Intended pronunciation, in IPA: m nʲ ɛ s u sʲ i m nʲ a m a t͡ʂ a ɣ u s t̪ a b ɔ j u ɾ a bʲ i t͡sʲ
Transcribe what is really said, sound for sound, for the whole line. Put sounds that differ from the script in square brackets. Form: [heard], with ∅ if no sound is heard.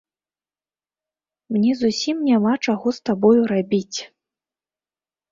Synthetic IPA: m nʲ ɛ [z] u sʲ i m nʲ a m a t͡ʂ a ɣ [ɔ] s t̪ a b ɔ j u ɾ a bʲ i t͡sʲ